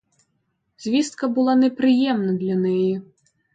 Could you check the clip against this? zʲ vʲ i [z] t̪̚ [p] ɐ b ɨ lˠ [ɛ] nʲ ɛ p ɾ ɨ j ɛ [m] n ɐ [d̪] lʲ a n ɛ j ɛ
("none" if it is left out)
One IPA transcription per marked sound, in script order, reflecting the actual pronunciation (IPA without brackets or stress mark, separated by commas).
s, k, a, m, d̪